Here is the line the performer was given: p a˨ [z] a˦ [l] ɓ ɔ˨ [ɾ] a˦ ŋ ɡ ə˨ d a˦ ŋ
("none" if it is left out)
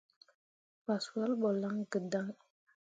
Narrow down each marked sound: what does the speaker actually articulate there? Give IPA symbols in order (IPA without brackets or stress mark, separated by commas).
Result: s, l, l